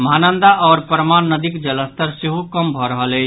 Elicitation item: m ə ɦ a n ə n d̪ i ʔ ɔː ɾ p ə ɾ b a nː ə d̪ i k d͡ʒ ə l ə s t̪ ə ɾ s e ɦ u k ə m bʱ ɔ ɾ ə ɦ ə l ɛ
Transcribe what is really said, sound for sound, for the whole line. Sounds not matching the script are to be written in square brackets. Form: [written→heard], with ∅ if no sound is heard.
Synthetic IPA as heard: m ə ɦ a n ə n d̪ [i→a] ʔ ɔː ɾ p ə ɾ [b→m] a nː ə d̪ i k d͡ʒ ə l ə s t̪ ə ɾ s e ɦ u k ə m bʱ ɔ ɾ ə ɦ ə l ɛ